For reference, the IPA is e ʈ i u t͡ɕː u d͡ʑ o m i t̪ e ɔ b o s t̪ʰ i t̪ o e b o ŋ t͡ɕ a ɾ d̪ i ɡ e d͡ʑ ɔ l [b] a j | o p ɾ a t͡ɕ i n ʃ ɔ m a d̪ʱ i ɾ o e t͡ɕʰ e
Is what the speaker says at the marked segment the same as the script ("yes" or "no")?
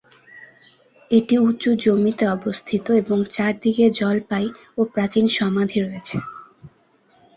no